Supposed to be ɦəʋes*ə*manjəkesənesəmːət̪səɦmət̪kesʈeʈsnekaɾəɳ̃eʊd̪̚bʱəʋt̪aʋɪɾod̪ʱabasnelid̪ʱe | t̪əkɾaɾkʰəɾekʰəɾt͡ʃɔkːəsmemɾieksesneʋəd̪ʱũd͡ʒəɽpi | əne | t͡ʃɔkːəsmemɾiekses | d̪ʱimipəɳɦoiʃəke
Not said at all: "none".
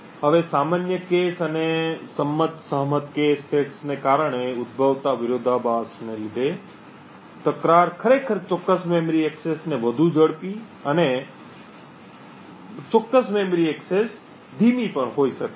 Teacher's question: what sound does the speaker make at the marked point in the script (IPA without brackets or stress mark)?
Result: a